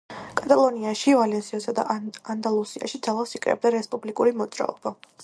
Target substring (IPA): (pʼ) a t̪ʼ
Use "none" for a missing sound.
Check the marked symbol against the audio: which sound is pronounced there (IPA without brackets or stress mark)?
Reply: kʼ